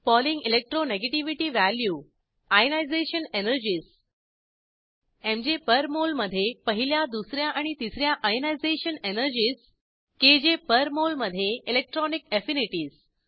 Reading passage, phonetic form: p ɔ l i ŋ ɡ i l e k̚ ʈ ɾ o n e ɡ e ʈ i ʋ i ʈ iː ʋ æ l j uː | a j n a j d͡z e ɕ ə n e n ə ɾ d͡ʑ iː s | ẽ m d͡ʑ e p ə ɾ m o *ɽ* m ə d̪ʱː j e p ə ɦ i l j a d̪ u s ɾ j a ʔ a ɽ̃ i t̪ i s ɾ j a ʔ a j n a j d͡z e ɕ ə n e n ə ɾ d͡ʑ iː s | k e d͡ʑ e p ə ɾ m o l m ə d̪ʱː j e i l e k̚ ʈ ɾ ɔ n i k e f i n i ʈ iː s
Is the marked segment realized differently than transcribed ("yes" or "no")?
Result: yes